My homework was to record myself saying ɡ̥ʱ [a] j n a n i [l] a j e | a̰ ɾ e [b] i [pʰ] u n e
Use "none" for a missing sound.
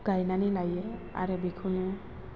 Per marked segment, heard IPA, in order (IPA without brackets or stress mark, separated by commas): a, l, b, kʰ